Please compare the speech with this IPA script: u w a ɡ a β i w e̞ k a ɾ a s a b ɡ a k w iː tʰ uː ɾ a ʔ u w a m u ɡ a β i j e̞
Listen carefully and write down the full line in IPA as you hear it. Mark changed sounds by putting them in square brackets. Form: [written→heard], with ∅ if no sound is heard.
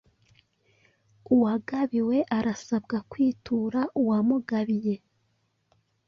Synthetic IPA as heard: u w a ɡ a β i w e̞ [k→ʔ] a ɾ a s a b ɡ a k w iː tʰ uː ɾ a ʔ u w a m u ɡ a β i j e̞